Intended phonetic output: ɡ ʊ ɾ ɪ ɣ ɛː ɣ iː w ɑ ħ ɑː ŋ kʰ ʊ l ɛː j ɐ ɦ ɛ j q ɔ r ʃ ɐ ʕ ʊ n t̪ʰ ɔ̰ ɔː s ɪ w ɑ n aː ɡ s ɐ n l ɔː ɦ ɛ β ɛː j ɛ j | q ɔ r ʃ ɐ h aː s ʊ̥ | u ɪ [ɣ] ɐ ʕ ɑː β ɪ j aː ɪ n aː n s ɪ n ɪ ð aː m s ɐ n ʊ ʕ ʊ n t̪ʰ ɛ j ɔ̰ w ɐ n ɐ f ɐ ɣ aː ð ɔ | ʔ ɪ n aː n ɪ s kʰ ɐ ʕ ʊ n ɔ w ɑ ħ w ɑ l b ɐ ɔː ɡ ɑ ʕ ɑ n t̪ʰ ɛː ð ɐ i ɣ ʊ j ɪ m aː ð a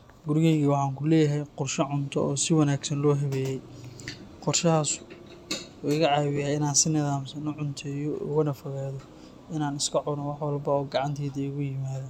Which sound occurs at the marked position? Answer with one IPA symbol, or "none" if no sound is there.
ɣ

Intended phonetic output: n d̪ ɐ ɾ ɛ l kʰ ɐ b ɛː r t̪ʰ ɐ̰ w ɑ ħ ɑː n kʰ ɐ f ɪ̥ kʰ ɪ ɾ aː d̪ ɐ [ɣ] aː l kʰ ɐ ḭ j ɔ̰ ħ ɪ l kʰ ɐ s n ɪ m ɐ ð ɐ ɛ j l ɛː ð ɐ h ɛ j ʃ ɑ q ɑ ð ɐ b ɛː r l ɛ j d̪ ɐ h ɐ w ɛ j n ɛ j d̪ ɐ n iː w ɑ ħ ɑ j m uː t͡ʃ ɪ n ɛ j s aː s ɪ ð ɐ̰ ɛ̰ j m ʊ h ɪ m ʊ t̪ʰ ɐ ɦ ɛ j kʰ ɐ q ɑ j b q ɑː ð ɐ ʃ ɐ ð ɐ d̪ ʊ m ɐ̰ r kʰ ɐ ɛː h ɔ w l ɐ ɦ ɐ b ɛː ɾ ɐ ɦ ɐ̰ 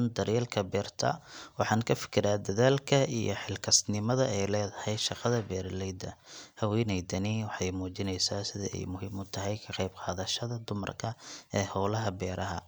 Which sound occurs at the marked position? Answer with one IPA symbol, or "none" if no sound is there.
ð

